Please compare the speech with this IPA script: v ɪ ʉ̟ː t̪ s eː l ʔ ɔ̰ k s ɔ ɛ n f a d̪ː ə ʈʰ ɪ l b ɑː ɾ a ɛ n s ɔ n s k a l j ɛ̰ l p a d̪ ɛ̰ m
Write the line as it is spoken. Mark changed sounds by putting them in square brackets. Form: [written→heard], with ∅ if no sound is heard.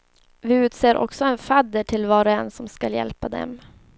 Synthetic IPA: v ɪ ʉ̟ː t̪ s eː [l→ɾ] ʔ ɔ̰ k s ɔ ɛ n f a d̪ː ə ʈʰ ɪ l [b→v] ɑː ɾ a ɛ n s ɔ [n→m] s k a l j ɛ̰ l p a d̪ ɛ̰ m